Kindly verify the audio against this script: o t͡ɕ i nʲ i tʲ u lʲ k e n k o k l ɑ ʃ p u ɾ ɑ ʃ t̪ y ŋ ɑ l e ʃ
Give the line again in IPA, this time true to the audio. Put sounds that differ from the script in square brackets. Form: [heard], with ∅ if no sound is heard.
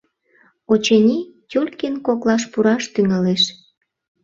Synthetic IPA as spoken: o t͡ɕ [e] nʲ i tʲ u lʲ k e n k o k l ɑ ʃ p u ɾ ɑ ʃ t̪ y ŋ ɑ l e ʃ